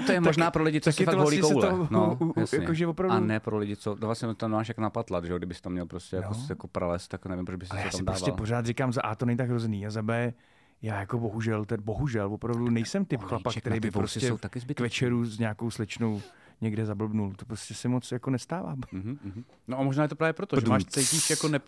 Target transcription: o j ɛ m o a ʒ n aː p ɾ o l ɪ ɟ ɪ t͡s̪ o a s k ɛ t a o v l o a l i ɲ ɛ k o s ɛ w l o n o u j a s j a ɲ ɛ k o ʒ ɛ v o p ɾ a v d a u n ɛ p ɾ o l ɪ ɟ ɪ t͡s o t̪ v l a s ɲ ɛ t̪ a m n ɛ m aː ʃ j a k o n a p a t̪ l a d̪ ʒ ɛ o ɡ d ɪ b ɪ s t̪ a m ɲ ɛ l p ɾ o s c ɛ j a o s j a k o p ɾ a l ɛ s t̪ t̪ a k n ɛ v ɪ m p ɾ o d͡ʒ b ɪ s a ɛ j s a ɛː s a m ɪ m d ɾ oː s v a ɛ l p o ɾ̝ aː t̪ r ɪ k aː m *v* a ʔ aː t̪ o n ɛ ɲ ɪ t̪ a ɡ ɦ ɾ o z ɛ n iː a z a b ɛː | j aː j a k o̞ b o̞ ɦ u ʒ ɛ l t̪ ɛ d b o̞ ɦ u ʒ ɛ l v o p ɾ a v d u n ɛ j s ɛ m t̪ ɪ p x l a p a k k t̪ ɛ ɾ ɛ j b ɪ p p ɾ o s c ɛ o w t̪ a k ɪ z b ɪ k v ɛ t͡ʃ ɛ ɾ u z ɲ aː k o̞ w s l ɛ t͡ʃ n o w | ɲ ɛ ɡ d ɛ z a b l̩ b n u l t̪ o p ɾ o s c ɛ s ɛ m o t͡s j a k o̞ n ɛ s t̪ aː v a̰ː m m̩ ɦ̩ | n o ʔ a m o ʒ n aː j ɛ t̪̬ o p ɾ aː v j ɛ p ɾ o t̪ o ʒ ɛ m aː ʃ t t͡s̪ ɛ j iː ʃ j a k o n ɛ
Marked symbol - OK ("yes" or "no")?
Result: no